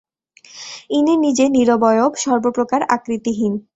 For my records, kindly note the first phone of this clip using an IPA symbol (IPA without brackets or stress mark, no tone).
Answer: i